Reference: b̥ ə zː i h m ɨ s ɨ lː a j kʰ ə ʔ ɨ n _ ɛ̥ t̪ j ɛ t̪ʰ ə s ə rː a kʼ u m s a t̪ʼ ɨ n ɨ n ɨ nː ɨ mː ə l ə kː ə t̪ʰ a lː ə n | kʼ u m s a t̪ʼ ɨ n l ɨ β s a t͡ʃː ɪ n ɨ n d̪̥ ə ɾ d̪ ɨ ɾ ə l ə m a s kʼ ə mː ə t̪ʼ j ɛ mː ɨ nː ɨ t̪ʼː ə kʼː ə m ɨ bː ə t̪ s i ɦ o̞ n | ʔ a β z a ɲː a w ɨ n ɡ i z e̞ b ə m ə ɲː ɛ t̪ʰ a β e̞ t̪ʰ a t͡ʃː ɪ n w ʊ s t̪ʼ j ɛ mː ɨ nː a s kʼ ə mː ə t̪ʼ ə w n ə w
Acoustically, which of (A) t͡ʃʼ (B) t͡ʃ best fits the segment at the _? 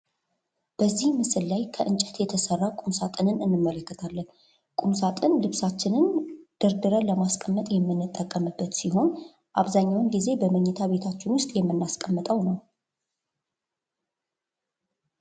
A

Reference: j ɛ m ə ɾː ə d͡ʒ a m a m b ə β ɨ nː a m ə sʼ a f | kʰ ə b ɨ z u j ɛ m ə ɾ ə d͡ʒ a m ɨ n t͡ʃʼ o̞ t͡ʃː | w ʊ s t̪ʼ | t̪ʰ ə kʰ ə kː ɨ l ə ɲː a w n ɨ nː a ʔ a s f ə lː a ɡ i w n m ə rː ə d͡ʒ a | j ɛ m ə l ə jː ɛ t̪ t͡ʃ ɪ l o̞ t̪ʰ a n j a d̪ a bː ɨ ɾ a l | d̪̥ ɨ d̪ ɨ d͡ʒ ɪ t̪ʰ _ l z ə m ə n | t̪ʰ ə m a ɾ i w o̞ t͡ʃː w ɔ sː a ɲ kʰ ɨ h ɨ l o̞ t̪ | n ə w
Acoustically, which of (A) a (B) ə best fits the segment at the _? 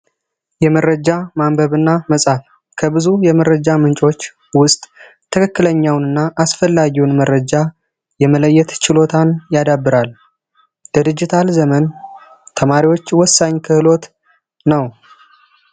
A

